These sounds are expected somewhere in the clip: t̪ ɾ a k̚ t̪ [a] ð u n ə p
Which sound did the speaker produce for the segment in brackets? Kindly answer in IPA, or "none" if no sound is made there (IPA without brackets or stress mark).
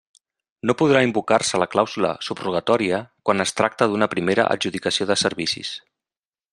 ə